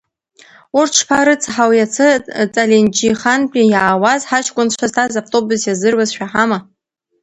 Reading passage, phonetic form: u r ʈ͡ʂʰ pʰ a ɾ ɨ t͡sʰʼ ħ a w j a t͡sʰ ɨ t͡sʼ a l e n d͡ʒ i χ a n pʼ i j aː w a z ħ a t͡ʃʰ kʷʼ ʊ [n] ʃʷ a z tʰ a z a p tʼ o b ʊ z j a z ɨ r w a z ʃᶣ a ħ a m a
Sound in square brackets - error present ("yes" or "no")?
no